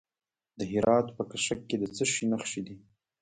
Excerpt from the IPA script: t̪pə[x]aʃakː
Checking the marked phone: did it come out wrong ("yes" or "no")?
yes